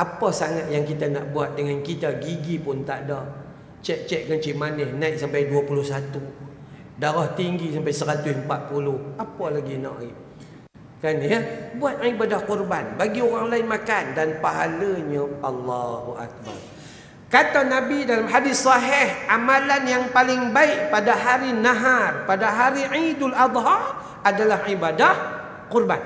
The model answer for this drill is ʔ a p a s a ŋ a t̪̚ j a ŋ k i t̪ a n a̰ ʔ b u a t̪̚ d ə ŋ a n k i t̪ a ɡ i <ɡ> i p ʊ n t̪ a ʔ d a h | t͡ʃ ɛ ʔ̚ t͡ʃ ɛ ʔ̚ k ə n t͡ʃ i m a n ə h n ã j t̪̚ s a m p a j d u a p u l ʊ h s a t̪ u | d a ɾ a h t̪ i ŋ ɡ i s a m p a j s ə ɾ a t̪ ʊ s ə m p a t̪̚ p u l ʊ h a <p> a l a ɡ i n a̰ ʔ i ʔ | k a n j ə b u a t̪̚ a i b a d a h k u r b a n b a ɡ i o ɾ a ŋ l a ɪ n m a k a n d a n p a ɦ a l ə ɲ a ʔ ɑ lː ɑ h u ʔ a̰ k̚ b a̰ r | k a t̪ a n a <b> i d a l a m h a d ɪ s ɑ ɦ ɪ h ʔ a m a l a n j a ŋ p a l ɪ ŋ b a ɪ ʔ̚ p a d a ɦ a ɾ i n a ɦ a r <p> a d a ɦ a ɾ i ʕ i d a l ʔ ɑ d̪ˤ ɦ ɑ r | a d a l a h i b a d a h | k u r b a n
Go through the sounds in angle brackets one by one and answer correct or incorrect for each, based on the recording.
correct, correct, correct, correct

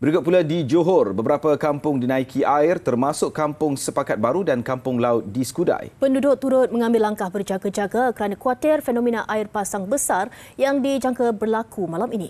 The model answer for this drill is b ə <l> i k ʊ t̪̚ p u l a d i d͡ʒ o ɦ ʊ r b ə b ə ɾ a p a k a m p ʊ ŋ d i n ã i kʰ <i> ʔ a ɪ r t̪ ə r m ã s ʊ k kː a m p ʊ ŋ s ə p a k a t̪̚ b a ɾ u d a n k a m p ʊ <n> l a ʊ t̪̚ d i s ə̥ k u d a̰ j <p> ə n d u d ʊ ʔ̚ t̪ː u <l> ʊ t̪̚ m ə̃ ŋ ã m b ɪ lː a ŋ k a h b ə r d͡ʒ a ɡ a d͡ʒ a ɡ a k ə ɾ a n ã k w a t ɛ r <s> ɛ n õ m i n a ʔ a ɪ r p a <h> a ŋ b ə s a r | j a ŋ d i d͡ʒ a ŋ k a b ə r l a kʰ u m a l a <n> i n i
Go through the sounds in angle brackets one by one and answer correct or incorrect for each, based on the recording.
incorrect: ɾ, correct, incorrect: ŋ, correct, incorrect: ɾ, incorrect: f, incorrect: s, incorrect: m

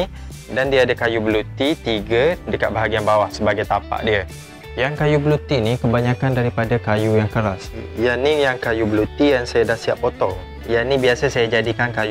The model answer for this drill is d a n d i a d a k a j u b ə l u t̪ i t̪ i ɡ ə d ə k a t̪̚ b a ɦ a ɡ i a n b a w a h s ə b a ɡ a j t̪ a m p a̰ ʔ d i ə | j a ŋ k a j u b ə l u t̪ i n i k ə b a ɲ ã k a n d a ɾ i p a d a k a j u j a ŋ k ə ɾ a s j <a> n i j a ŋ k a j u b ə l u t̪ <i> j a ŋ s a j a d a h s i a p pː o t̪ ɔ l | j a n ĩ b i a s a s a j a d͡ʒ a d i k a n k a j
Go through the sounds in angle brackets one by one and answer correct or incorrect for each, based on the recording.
correct, correct

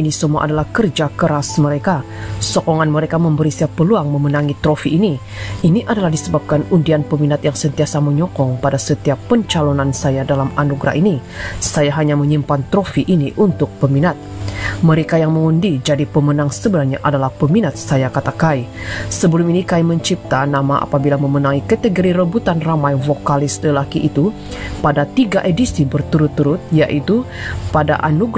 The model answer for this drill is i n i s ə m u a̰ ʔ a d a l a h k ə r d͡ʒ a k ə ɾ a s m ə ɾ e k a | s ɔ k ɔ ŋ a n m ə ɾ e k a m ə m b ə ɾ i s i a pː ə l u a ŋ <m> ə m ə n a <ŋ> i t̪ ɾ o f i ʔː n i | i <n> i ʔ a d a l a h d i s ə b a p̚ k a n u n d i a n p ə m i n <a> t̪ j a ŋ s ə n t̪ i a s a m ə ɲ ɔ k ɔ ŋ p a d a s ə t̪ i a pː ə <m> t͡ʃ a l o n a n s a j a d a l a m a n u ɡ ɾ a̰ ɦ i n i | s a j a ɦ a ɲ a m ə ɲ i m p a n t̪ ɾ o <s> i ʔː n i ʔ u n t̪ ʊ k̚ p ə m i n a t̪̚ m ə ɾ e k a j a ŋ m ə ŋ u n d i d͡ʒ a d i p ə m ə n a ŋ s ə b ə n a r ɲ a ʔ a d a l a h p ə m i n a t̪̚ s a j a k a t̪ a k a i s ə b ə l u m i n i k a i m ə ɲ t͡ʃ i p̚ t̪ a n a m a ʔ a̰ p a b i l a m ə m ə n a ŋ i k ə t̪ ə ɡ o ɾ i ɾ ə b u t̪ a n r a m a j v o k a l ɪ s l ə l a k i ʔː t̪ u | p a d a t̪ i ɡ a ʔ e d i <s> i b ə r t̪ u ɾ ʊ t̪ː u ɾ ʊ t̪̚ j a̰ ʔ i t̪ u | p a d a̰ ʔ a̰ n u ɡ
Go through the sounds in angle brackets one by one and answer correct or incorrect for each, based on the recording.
correct, correct, correct, correct, incorrect: ɲ, incorrect: f, correct

